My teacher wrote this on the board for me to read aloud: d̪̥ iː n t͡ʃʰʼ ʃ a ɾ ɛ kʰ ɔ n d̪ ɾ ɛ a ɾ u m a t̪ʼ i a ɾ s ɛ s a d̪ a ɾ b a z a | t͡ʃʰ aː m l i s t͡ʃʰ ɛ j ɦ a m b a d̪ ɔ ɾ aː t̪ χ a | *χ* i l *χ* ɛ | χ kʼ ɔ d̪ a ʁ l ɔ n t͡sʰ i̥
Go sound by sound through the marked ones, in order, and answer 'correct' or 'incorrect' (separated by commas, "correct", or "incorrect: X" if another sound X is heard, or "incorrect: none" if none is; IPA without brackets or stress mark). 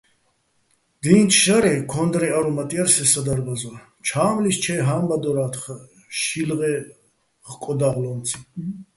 incorrect: ʃ, incorrect: ʁ